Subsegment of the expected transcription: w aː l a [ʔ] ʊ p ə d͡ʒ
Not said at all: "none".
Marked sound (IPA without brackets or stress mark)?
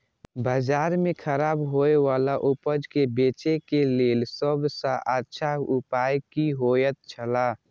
ʔ